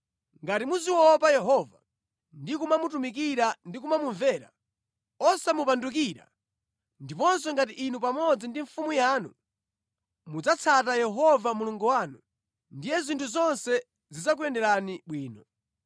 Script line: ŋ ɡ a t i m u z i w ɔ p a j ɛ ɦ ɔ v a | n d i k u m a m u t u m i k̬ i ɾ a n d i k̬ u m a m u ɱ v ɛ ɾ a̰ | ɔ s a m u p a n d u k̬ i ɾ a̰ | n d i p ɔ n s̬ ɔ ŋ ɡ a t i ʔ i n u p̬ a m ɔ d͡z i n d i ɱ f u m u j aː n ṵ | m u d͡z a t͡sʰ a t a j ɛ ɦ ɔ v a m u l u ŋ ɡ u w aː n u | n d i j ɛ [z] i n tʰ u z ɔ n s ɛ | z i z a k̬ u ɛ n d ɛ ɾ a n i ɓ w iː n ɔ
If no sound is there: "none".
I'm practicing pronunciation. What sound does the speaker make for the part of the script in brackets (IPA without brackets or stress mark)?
z